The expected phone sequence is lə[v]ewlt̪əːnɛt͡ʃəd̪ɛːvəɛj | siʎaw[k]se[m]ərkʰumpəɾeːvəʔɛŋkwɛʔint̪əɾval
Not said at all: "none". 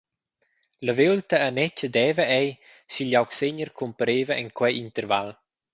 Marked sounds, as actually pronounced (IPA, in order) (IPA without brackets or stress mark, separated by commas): v, k, ɲ